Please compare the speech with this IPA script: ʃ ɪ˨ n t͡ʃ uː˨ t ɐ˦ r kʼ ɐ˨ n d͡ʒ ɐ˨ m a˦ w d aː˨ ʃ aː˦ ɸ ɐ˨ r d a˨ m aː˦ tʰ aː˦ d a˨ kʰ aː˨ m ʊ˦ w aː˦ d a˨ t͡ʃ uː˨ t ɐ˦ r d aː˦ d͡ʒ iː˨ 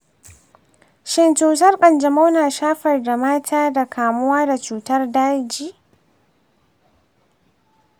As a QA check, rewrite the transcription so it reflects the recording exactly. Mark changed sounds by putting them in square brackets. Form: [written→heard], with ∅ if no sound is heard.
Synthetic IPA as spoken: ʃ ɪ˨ n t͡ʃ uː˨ t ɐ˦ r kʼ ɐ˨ n d͡ʒ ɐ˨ m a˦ w [d→n] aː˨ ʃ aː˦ ɸ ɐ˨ r d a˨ m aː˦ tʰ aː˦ d a˨ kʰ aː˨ m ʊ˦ w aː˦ d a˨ t͡ʃ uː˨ t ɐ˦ r d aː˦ d͡ʒ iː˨